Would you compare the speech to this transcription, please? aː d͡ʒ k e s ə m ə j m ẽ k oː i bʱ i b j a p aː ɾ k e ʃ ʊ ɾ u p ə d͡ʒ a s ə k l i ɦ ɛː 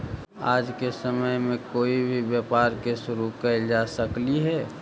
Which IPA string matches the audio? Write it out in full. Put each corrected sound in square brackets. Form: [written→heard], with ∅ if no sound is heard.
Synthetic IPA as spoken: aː d͡ʒ k e s ə m ə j m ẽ k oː i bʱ i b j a p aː ɾ k e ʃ ʊ ɾ u [p→k] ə d͡ʒ a s ə k l i ɦ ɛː